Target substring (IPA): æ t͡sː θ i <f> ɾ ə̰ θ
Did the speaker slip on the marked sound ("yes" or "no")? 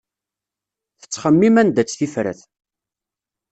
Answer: no